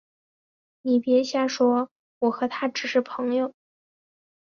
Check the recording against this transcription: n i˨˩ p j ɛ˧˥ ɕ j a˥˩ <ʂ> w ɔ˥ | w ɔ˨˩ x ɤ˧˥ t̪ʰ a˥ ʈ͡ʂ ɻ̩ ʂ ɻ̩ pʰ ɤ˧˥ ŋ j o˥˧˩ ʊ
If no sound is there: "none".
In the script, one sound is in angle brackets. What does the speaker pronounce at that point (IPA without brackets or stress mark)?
ʂ